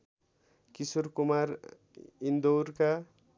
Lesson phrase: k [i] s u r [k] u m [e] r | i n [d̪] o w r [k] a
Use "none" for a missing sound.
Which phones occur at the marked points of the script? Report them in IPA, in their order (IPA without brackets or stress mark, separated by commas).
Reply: i, k, a, d̪, k